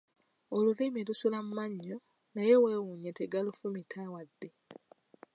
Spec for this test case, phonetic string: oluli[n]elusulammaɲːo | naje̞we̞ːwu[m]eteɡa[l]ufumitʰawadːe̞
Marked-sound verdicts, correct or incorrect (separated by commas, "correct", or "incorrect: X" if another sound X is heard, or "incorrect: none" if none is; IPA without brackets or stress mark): incorrect: m, incorrect: ɲ, correct